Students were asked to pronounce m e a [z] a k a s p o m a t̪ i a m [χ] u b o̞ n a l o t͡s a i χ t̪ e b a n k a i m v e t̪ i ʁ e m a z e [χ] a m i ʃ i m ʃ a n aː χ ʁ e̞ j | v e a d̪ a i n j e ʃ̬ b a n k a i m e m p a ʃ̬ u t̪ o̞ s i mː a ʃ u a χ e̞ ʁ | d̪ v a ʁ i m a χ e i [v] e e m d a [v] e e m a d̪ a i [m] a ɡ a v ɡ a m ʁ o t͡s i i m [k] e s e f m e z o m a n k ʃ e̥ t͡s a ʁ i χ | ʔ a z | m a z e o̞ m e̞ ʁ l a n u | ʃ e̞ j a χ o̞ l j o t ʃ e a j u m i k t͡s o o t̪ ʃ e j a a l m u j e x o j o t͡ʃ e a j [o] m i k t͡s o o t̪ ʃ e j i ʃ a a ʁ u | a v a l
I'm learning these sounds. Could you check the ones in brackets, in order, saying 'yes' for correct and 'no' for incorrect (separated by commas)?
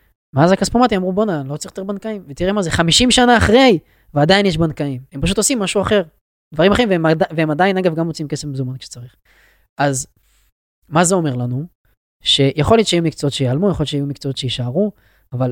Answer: yes, no, yes, yes, yes, no, yes, no